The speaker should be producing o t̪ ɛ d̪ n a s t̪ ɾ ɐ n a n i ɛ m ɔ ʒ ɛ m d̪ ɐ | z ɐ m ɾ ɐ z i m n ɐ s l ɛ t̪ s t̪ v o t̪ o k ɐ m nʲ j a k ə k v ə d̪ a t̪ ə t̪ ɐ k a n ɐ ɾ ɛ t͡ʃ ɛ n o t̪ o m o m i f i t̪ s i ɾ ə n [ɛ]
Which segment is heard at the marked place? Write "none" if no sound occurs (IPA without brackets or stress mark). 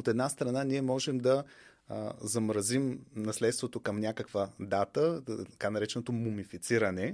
ɛ